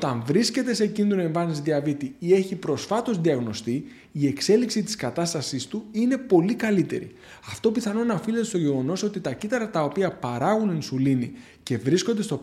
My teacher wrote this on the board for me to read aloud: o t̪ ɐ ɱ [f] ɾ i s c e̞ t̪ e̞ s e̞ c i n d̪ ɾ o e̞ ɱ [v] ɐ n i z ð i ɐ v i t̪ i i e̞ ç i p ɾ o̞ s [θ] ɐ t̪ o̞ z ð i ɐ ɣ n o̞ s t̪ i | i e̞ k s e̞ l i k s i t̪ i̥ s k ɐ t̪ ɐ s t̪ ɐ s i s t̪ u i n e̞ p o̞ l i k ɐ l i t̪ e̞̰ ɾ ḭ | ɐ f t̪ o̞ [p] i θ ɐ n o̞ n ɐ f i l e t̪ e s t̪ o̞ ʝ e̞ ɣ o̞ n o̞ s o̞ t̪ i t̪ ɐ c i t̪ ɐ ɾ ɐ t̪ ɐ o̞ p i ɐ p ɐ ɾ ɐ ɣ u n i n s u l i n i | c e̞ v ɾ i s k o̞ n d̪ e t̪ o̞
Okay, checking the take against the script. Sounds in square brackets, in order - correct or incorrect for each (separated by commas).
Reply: incorrect, correct, incorrect, correct